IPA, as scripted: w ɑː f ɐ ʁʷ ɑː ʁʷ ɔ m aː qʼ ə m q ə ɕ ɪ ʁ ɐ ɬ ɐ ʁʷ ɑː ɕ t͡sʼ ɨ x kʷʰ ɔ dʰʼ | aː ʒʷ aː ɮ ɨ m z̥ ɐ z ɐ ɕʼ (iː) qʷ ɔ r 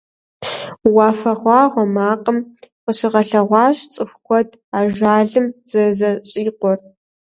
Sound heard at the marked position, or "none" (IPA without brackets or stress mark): iː